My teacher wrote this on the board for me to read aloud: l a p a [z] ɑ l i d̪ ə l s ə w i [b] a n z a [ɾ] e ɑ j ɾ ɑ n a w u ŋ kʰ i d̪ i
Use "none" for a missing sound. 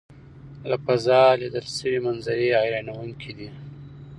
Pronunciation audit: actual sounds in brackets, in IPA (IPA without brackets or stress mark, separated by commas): z, m, ɾ